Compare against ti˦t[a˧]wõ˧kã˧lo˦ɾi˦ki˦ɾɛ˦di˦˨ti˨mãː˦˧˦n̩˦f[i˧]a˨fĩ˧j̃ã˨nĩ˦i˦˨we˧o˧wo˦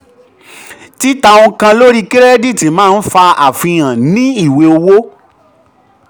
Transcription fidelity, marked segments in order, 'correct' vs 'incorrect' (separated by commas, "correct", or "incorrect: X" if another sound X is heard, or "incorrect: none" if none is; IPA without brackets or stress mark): correct, incorrect: a˧